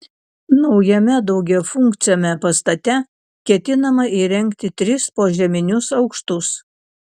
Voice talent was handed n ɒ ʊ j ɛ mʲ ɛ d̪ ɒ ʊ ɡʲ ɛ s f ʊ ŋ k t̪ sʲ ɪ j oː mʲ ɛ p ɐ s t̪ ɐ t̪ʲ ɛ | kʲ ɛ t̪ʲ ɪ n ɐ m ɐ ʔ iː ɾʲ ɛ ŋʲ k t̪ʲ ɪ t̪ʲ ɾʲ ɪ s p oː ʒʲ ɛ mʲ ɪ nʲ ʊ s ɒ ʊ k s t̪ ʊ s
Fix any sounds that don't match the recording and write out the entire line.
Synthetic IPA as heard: n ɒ ʊ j ɛ mʲ ɛ d̪ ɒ ʊ ɡʲ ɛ f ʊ ŋ k t̪ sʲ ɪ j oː mʲ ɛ p ɐ s t̪ ɐ t̪ʲ ɛ | kʲ ɛ t̪ʲ ɪ n ɐ m ɐ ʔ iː ɾʲ ɛ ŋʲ k t̪ʲ ɪ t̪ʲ ɾʲ ɪ s p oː ʒʲ ɛ mʲ ɪ nʲ ʊ s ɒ ʊ k ʃ t̪ ʊ s